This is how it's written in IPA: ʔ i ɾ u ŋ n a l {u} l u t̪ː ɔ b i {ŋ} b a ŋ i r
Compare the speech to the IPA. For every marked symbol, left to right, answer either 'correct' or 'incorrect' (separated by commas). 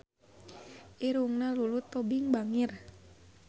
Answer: correct, correct